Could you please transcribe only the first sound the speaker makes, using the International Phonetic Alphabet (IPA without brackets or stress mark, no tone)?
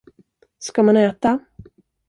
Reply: s